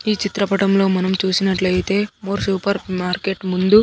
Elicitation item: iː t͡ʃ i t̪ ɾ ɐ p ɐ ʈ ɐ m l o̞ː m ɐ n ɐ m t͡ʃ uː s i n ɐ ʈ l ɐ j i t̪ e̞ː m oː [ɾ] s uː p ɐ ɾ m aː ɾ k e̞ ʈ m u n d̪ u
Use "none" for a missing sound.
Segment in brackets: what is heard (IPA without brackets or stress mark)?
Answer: ɾ